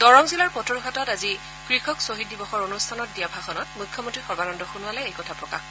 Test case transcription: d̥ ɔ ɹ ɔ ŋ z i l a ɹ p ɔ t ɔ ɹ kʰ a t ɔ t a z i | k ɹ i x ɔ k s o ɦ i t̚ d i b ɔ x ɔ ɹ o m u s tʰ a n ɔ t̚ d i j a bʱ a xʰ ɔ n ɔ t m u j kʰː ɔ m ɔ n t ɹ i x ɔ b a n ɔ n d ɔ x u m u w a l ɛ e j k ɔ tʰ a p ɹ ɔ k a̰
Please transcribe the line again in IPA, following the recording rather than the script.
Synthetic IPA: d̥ ɔ ɹ ɔ ŋ z i l a ɹ p ɔ t ɔ ɹ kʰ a t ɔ t a z i | k ɹ i x ɔ k s o ɦ i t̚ d i b ɔ x ɔ ɹ o n u s tʰ a n ɔ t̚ d i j a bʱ a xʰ ɔ n ɔ t m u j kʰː ɔ m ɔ n t ɹ i x ɔ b a n ɔ n d ɔ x u n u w a l ɛ e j k ɔ tʰ a p ɹ ɔ k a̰